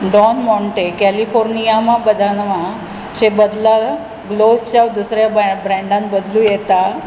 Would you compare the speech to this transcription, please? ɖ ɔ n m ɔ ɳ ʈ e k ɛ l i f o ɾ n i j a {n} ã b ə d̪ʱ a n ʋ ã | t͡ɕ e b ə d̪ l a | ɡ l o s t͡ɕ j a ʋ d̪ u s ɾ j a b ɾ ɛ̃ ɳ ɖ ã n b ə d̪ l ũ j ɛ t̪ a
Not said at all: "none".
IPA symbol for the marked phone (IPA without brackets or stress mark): m